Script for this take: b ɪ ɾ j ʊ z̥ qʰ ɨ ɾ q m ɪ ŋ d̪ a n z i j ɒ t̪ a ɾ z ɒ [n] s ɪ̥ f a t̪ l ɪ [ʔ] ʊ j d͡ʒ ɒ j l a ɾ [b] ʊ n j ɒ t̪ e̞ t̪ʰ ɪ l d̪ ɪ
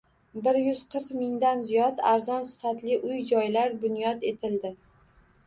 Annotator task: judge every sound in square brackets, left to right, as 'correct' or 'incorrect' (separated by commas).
correct, correct, correct